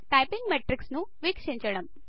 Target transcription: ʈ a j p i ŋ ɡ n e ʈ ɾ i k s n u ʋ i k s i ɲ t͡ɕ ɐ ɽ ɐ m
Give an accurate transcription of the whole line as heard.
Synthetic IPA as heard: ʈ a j p i ŋ ɡ m e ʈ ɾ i k s n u ʋ i k ʂ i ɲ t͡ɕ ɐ ɽ ɐ m